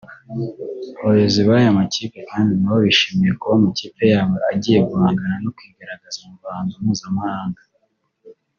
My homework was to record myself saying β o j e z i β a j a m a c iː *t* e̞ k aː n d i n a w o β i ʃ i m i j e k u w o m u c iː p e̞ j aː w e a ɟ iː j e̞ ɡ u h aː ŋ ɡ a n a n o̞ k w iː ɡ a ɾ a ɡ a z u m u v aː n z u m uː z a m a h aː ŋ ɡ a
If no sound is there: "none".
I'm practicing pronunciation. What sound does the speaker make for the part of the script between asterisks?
p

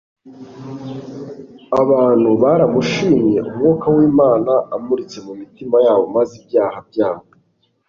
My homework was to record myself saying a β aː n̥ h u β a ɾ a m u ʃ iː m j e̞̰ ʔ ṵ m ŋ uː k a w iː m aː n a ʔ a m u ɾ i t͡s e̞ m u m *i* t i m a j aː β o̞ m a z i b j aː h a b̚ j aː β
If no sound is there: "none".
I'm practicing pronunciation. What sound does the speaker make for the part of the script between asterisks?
i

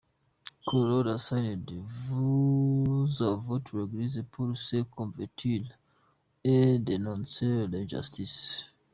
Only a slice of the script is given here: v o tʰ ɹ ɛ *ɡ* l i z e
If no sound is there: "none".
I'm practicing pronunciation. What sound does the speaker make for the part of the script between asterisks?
ɡ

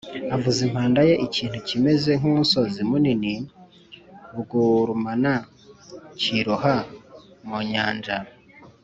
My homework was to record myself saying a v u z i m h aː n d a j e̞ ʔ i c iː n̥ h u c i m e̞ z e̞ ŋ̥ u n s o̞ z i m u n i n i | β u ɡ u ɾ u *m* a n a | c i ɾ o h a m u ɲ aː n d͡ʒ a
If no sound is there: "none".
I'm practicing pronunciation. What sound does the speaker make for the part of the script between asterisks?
m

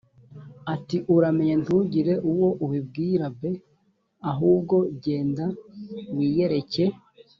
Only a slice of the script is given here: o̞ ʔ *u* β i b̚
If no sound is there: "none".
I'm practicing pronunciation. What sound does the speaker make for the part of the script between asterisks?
u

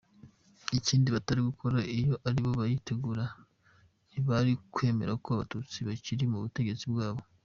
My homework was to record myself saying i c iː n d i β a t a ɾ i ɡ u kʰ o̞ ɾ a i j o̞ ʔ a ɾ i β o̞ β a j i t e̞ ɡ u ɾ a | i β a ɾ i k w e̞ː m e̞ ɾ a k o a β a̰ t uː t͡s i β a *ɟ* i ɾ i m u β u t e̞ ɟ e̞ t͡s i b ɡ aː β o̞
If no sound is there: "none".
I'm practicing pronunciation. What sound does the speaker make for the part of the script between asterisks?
c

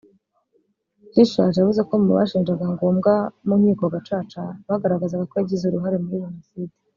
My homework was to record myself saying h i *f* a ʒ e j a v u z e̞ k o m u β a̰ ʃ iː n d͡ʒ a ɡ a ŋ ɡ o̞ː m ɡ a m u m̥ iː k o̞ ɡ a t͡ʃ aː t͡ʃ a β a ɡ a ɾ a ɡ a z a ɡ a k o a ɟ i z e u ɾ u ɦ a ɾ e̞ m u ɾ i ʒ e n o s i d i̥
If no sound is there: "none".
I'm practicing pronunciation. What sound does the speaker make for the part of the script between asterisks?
ʃ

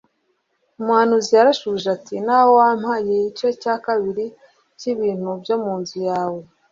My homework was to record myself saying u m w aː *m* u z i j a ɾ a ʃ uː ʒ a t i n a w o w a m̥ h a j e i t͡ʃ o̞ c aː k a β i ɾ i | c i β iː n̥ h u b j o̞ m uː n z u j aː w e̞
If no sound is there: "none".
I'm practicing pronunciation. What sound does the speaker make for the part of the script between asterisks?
n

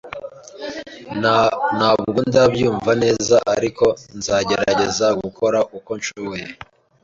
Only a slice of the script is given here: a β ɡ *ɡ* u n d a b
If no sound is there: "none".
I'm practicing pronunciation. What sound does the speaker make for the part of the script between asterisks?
ɡ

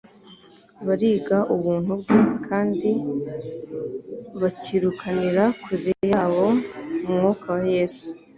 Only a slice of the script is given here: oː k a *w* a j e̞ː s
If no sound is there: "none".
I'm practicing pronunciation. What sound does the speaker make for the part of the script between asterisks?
w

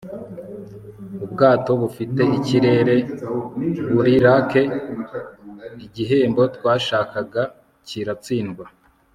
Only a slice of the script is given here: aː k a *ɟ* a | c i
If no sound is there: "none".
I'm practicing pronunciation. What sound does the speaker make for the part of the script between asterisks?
ɡ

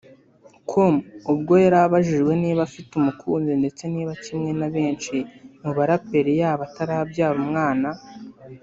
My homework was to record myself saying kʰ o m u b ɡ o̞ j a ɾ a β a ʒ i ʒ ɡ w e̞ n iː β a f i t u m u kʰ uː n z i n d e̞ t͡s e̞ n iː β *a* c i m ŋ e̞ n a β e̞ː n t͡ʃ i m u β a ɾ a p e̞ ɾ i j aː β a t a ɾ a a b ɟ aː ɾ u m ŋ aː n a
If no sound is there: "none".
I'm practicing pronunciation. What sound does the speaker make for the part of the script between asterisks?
a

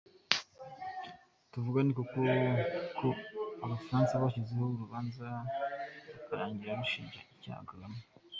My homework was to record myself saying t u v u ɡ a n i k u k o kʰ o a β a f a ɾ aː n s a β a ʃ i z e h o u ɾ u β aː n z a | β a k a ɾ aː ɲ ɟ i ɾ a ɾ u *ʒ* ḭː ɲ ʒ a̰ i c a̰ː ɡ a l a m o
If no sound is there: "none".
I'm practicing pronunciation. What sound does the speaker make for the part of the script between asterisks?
ʃ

